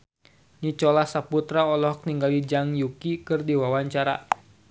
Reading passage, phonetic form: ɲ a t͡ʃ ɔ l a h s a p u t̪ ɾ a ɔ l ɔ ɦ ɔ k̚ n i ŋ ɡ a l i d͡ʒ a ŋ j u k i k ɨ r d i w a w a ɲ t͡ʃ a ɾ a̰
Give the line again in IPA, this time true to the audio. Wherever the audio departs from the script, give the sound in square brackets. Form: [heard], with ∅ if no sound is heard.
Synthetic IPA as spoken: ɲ [i] t͡ʃ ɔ l a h s a p u t̪ ɾ a ɔ l ɔ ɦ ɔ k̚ n i ŋ ɡ a l i d͡ʒ a ŋ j u k i k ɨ r d i w a w a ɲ t͡ʃ a ɾ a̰